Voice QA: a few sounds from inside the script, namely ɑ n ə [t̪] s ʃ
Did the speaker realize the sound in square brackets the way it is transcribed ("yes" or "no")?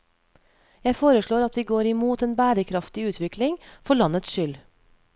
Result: yes